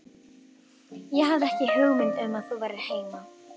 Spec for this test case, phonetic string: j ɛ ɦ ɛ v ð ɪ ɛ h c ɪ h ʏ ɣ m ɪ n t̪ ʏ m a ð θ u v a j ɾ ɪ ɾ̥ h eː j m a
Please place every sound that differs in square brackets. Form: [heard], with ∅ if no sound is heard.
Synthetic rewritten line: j ɛ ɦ [a] v ð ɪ ɛ h c ɪ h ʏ ɣ m ɪ n t̪ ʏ m a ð θ u v a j ɾ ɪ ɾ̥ h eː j m a